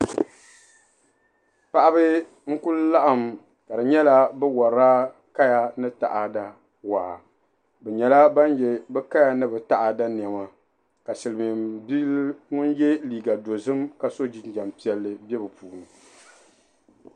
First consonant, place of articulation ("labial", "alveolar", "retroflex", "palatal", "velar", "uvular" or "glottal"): labial